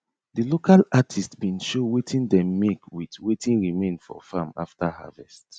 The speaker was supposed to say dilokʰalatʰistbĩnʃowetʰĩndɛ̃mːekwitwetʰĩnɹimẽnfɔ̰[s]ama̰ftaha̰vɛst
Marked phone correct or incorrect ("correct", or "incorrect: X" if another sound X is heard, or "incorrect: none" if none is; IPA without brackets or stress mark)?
incorrect: f